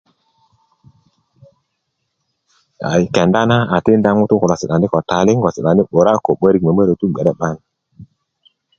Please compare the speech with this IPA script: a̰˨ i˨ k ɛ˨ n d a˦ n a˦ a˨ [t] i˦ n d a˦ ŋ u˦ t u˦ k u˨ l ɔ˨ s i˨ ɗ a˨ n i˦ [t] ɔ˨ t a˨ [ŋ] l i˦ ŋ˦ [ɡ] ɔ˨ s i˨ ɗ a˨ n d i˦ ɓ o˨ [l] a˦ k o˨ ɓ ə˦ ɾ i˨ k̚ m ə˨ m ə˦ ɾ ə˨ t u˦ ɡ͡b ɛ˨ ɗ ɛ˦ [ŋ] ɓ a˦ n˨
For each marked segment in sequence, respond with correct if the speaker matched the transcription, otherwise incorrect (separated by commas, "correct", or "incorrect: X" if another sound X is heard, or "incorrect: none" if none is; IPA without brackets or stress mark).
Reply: correct, incorrect: k, incorrect: none, correct, incorrect: ɾ, incorrect: none